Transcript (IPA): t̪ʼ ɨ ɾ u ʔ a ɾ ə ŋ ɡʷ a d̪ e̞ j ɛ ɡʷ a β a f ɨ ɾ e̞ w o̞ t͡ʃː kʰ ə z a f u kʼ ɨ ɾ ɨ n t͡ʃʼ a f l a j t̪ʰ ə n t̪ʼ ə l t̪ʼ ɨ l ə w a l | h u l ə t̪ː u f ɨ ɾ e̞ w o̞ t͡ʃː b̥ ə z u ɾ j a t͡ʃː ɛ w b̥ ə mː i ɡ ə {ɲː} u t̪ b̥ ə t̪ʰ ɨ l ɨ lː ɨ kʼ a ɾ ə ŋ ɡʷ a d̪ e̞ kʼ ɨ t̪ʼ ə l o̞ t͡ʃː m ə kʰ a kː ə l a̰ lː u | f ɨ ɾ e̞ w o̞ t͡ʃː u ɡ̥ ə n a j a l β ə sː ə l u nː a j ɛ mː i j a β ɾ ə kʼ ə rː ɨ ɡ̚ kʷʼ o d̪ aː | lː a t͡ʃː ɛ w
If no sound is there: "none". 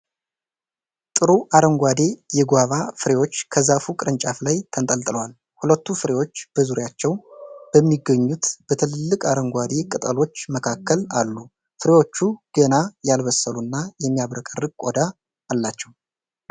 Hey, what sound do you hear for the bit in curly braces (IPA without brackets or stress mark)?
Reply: ɲː